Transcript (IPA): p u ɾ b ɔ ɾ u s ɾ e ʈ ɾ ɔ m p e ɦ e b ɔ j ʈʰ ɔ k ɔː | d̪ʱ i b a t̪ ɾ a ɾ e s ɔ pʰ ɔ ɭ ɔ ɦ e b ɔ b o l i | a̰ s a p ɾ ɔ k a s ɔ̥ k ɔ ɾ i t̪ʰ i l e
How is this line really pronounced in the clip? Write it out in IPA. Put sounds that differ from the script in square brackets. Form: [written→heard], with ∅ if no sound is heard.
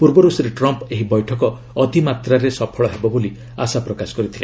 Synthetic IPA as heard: p u ɾ b ɔ ɾ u s ɾ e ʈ ɾ ɔ m p e ɦ [e→i] b ɔ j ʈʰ ɔ k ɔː | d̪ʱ i [b→m] a t̪ ɾ a ɾ e s ɔ pʰ ɔ ɭ ɔ ɦ e b ɔ b o l i | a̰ s a p ɾ ɔ k a s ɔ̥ k ɔ ɾ i t̪ʰ i l e